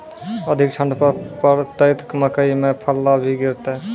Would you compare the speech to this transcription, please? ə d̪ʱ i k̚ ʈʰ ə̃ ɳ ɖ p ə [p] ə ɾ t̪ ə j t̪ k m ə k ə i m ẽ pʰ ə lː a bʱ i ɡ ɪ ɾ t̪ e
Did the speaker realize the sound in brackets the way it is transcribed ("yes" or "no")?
yes